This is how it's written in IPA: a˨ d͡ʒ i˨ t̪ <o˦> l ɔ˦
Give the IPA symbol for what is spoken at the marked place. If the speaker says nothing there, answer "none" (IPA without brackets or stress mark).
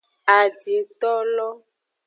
ɔ˦